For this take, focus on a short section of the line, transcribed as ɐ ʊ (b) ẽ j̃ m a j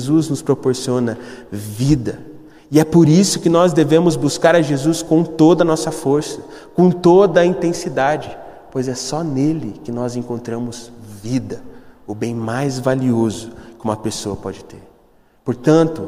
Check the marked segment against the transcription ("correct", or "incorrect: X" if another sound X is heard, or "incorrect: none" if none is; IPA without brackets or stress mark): correct